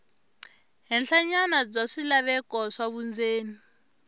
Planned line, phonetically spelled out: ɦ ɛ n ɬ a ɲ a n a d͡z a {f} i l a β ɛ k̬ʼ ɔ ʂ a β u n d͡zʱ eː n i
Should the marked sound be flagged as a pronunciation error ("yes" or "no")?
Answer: yes